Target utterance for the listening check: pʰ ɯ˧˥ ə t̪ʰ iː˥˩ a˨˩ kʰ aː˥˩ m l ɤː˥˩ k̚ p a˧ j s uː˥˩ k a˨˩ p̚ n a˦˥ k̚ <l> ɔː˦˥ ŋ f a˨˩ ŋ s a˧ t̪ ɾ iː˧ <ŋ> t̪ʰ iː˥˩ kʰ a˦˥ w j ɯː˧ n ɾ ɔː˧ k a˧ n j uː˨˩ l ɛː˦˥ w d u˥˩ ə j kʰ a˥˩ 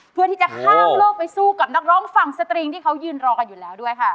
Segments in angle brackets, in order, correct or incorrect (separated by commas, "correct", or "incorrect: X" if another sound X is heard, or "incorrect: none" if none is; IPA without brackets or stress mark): incorrect: ɾ, correct